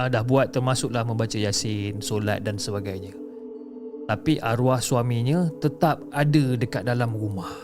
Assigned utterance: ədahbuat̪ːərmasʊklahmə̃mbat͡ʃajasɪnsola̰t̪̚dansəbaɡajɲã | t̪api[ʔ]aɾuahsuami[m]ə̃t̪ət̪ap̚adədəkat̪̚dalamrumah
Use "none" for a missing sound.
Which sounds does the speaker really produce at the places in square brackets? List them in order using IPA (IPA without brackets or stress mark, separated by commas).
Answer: ʔ, ɲ